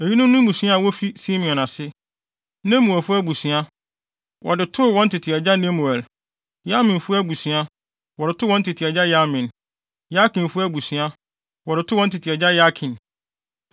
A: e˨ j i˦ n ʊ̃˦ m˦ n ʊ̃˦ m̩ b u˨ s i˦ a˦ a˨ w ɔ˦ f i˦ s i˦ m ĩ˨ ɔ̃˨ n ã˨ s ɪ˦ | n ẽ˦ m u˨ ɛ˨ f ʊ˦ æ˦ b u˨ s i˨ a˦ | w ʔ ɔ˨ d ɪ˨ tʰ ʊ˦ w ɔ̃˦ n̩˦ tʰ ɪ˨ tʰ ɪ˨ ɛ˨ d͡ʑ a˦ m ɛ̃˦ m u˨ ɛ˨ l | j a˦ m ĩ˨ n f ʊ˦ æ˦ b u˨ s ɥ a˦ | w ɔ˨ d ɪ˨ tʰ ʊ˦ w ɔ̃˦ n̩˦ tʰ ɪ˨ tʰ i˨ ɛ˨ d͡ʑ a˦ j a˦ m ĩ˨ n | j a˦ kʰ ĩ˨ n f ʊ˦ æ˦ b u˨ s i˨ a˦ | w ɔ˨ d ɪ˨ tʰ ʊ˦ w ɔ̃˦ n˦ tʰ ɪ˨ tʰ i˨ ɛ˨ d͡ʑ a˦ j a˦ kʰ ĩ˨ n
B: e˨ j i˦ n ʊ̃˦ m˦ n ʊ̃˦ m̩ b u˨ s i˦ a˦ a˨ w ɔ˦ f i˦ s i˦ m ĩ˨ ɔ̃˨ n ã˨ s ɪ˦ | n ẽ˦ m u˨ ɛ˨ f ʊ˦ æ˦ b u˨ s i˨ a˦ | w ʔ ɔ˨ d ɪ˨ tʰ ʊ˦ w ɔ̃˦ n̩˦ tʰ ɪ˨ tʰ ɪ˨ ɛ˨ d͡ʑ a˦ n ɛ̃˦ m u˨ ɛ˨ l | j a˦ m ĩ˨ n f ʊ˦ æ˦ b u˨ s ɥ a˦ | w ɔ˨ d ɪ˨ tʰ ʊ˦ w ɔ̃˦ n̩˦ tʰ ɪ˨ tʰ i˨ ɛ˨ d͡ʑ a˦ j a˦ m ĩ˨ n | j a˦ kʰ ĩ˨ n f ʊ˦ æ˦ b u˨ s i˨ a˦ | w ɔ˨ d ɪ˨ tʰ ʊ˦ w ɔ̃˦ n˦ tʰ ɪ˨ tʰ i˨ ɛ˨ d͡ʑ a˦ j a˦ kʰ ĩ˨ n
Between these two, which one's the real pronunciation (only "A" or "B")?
B